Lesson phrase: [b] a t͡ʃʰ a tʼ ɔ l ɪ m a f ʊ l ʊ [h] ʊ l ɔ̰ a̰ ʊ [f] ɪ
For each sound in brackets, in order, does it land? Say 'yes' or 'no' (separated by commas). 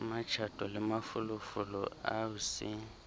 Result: no, no, no